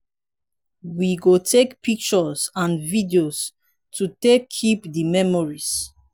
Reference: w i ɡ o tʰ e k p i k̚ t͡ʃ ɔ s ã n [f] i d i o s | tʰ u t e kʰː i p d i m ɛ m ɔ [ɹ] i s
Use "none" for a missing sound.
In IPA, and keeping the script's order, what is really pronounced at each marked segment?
v, ɹ

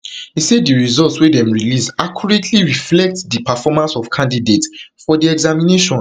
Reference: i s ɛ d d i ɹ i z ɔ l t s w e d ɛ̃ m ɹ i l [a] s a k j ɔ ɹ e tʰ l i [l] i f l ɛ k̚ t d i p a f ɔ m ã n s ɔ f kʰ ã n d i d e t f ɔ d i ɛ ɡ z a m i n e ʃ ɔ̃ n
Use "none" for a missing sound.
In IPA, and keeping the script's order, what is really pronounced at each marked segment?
i, ɹ

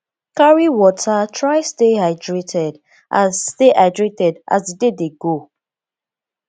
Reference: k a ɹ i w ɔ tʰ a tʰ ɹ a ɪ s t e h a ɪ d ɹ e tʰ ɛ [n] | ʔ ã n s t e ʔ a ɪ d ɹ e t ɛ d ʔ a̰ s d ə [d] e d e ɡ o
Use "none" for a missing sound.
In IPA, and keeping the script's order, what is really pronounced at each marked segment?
d, d

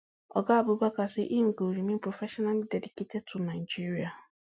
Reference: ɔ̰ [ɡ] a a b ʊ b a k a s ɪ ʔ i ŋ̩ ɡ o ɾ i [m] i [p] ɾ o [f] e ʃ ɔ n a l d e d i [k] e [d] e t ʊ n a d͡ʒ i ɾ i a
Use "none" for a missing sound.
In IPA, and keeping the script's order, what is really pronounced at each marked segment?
ɡ, m, p, f, k, t

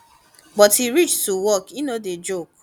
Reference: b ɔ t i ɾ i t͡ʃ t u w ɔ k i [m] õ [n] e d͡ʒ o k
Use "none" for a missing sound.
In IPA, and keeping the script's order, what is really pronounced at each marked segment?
n, d

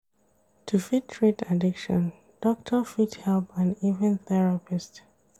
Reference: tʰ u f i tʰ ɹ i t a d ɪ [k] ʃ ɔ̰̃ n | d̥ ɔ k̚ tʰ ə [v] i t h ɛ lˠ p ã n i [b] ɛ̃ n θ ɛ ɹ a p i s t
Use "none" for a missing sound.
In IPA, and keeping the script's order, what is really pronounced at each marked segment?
k, f, v

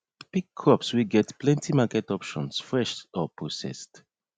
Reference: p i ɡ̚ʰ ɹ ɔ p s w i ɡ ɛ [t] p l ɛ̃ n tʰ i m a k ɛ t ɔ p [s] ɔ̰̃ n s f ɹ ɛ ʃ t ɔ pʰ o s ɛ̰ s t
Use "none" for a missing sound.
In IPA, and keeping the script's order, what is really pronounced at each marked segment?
t, ʃ

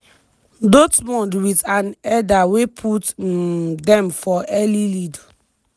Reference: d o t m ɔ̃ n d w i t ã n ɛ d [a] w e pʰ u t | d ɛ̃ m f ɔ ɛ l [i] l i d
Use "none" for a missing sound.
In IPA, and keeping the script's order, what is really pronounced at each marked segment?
a, i

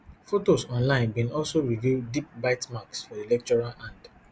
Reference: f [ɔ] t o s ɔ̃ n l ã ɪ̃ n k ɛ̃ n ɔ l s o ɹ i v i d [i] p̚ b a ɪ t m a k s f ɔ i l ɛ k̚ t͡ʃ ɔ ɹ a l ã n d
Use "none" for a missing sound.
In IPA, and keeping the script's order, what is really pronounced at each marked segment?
o, i

